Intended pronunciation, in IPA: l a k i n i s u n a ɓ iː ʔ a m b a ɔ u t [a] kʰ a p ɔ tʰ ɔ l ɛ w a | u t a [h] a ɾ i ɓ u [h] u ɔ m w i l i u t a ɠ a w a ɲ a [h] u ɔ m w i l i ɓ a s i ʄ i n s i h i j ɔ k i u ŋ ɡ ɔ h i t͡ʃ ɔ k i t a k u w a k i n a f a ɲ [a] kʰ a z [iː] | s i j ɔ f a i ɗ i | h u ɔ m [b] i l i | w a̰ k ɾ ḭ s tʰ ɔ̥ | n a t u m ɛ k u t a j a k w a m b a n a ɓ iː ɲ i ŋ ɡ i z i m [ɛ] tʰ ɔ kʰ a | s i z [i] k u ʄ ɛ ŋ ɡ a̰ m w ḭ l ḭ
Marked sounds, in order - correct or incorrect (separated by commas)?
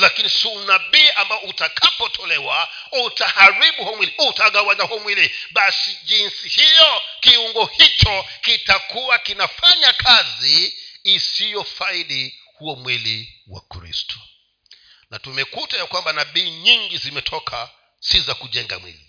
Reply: correct, correct, correct, correct, correct, correct, incorrect, correct, incorrect